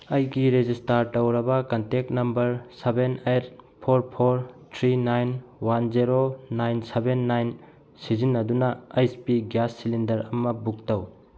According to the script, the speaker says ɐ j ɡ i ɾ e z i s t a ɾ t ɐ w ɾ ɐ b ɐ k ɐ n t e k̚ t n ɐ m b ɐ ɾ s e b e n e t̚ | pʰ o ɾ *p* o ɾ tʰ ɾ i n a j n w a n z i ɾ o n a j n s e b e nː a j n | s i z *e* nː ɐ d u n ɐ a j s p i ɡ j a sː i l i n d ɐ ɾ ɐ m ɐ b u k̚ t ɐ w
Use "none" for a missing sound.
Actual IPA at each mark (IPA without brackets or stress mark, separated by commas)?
pʰ, i